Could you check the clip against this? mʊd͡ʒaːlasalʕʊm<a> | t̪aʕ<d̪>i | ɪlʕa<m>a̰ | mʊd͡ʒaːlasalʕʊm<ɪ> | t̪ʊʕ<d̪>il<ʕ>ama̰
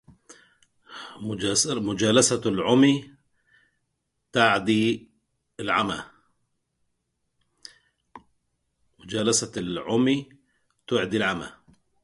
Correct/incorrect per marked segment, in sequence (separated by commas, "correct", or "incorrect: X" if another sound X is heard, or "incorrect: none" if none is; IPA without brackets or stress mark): incorrect: i, correct, correct, incorrect: i, correct, correct